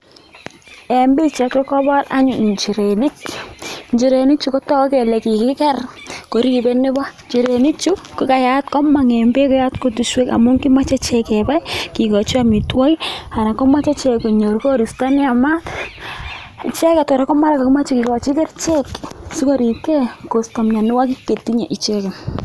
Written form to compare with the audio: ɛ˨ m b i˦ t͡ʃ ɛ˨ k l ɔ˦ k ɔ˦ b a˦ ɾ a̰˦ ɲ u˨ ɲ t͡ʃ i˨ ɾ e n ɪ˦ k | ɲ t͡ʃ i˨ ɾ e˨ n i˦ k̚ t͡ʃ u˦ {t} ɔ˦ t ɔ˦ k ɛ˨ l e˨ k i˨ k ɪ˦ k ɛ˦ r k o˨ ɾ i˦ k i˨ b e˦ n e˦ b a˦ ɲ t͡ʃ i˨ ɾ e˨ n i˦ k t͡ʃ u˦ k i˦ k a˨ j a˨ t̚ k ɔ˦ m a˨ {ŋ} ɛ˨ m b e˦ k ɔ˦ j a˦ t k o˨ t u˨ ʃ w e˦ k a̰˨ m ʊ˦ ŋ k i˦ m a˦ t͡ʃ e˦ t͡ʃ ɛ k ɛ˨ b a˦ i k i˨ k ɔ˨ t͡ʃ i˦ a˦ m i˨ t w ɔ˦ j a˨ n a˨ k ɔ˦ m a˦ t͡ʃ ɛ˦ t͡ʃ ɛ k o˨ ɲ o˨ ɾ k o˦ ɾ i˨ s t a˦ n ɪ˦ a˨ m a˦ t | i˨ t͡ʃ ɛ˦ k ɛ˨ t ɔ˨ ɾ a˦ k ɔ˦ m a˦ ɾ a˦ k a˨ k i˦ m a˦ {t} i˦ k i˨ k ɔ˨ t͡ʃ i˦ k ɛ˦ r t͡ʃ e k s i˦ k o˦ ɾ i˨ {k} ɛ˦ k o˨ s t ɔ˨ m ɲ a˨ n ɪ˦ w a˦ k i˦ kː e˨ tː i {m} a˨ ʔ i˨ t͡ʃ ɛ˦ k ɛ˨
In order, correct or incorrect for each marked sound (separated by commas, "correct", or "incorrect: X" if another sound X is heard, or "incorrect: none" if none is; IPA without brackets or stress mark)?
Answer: incorrect: k, correct, incorrect: t͡ʃ, correct, incorrect: ɲ